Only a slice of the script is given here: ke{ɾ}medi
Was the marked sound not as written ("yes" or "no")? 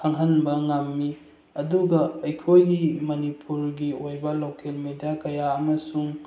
yes